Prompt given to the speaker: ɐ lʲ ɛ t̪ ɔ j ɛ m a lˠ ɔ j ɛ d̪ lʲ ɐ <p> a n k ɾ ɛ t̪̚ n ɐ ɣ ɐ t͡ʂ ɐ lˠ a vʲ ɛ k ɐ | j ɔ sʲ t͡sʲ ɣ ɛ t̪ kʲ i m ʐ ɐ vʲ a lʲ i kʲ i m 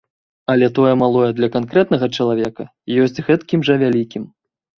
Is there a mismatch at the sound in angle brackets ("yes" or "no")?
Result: yes